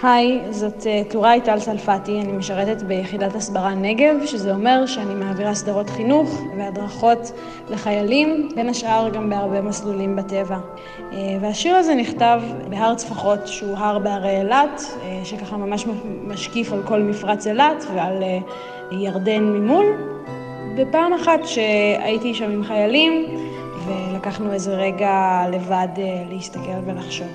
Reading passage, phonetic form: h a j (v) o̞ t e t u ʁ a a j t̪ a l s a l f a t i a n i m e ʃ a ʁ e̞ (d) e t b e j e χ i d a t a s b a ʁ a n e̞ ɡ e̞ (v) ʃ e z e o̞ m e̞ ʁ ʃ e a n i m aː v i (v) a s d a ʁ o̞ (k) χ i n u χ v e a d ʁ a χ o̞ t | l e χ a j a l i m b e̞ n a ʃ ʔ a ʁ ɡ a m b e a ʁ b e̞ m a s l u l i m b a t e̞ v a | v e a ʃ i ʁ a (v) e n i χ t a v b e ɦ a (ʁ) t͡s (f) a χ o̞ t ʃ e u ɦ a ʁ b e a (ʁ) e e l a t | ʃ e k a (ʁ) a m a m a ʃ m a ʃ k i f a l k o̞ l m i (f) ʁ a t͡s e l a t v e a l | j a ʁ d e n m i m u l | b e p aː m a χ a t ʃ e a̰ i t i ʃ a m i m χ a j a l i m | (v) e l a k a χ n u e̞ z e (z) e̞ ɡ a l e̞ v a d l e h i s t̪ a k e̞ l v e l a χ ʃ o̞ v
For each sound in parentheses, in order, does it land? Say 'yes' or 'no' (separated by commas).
no, no, yes, no, no, no, yes, yes, yes, no, yes, yes, no